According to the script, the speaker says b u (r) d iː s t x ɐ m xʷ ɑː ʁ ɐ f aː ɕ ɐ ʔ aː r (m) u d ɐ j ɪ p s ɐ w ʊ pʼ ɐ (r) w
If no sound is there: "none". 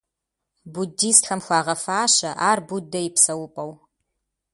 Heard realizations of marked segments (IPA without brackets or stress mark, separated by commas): none, b, none